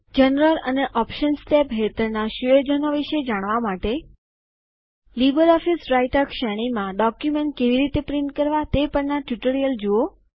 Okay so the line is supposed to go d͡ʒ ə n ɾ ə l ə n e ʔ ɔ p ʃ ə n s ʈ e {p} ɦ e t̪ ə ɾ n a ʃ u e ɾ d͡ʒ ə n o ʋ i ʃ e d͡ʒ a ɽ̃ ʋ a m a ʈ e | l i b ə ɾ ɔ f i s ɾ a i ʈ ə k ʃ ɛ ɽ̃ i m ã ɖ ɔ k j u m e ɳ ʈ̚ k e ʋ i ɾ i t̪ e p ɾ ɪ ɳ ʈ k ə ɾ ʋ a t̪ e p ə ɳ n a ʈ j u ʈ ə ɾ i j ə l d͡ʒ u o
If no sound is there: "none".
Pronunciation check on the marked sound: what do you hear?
p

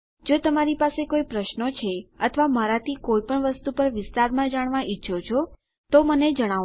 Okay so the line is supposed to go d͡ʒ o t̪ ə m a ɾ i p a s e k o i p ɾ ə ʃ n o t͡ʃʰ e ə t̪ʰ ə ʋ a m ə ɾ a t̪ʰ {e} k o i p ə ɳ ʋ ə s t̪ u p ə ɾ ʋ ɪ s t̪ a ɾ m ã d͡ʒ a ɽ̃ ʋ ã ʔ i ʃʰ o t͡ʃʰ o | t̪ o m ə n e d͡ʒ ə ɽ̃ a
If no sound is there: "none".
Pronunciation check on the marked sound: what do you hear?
i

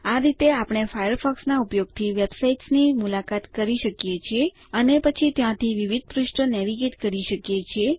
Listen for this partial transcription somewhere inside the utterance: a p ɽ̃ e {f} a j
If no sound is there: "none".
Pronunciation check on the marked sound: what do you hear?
f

